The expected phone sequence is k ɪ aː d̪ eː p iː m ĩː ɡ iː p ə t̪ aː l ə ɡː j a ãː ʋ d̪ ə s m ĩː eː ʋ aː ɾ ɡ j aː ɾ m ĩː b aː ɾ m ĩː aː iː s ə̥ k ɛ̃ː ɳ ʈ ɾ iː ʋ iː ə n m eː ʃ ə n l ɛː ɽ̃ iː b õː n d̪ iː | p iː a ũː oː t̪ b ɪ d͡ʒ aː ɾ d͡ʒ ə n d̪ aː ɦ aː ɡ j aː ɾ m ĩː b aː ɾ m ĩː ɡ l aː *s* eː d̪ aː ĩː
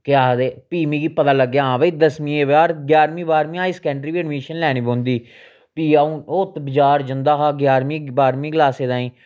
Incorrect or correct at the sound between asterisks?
correct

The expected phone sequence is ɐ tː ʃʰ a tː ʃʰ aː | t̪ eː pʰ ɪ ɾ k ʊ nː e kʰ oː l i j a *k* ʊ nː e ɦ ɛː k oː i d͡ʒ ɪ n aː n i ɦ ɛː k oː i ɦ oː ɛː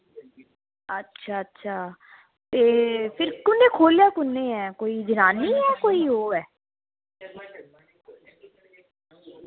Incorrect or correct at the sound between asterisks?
correct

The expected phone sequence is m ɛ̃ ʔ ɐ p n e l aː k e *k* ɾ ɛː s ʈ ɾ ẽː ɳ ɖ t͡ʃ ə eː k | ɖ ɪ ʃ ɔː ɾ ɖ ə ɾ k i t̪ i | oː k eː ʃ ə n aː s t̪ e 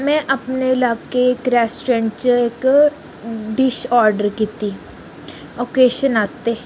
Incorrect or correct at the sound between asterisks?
correct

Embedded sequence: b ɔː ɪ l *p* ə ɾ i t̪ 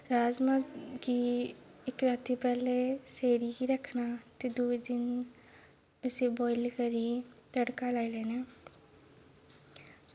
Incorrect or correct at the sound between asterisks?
incorrect: k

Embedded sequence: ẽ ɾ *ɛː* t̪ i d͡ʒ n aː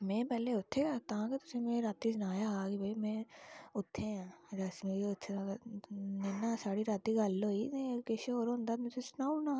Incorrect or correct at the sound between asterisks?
incorrect: aː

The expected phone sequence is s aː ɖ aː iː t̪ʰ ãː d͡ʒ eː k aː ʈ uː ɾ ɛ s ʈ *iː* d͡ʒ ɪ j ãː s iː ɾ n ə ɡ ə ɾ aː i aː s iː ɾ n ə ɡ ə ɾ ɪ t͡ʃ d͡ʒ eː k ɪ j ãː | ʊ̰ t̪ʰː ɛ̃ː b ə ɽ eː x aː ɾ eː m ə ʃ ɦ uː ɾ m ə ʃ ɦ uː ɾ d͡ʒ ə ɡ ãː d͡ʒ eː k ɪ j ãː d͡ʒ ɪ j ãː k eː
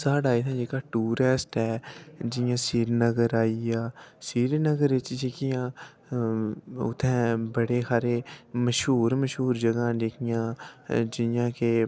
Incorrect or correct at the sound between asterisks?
incorrect: ɛː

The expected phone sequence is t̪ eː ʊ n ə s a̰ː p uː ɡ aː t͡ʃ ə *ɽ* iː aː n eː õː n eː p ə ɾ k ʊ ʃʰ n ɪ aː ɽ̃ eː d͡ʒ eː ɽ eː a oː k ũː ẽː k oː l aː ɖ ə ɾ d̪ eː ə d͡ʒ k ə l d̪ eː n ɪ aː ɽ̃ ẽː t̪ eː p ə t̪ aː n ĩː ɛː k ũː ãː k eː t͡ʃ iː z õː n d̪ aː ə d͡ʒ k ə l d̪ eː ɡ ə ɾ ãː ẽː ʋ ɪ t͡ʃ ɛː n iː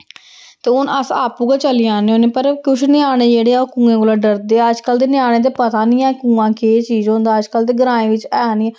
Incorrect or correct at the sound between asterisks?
incorrect: l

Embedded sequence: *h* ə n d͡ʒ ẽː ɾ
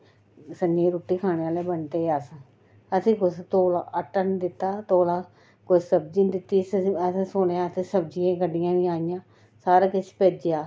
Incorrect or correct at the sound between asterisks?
incorrect: s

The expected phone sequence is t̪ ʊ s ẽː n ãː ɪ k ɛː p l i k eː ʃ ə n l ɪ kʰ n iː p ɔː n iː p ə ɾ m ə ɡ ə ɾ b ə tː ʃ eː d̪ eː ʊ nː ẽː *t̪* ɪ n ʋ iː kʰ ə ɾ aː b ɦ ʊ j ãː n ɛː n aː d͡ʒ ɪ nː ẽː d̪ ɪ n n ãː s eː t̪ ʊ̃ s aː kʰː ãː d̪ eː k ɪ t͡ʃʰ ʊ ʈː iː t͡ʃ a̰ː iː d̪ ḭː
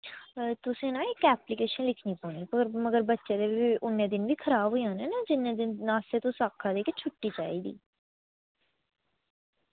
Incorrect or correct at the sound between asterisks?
incorrect: d̪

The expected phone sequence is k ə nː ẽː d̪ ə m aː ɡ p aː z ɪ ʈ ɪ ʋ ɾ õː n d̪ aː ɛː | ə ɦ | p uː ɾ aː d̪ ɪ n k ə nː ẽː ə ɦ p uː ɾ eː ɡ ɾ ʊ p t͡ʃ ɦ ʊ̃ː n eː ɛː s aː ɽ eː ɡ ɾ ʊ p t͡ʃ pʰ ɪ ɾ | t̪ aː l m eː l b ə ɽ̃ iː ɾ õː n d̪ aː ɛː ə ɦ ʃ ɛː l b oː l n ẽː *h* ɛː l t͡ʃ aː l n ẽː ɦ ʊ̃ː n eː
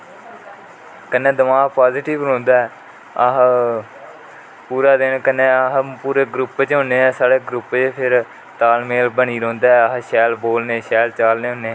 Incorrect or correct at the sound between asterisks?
incorrect: ʃ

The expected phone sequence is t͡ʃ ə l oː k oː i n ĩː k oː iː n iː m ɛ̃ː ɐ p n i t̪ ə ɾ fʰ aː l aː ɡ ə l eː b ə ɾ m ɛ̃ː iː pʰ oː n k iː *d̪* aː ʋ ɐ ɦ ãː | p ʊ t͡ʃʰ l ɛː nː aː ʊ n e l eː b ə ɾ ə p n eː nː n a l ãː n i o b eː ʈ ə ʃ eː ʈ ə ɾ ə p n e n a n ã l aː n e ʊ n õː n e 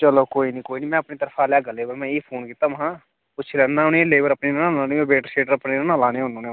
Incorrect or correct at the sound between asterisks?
incorrect: t̪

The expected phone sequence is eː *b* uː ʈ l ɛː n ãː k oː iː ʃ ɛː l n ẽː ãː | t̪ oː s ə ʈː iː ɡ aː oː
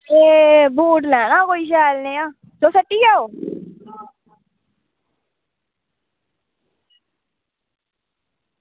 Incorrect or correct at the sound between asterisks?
correct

